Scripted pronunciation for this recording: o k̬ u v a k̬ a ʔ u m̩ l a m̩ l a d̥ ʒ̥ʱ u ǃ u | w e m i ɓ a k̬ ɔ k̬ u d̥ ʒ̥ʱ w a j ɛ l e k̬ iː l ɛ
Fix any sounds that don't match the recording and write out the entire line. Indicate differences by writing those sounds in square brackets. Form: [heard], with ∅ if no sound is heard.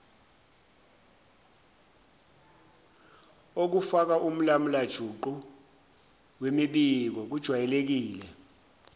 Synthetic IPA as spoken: o k̬ u [f] a k̬ a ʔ u m̩ l a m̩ l a d̥ ʒ̥ʱ u ǃ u | w e m i ɓ [i] k̬ ɔ k̬ u d̥ ʒ̥ʱ w a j ɛ l e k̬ iː l ɛ